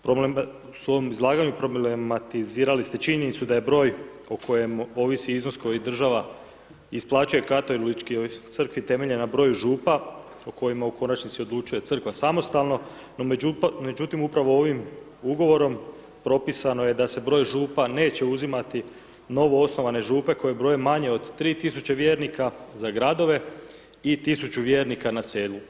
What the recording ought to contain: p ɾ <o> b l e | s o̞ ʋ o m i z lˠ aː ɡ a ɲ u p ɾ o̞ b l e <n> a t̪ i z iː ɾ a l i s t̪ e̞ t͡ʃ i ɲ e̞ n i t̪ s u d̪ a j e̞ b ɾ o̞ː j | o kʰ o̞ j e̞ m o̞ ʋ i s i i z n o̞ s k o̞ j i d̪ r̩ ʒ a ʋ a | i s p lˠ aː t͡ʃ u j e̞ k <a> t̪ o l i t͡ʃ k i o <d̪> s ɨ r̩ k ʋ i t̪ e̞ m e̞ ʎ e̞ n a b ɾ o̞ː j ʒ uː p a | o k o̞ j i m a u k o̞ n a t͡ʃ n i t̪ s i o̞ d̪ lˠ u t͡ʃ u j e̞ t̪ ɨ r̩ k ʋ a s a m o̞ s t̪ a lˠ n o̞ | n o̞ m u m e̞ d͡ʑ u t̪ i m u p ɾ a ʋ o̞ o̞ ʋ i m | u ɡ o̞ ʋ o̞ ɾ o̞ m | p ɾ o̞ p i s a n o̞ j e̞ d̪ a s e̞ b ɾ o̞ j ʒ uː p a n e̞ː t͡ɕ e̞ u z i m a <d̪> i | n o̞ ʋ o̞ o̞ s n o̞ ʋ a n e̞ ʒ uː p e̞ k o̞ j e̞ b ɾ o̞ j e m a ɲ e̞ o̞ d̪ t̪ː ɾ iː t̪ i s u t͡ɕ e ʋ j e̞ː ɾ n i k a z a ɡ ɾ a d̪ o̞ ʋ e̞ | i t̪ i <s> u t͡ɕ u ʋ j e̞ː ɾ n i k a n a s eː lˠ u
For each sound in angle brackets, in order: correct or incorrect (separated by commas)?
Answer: correct, incorrect, correct, incorrect, incorrect, correct